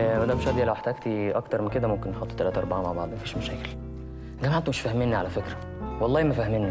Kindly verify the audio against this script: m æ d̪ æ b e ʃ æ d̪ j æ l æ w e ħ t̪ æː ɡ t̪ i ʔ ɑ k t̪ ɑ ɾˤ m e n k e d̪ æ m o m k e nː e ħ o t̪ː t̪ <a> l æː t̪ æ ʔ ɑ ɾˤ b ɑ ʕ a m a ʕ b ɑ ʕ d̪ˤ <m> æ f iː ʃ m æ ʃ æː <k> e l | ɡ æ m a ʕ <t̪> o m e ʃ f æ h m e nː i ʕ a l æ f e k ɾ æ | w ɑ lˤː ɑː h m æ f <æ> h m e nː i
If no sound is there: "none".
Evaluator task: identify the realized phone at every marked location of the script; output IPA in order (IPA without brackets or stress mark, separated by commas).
æ, m, k, t̪, æ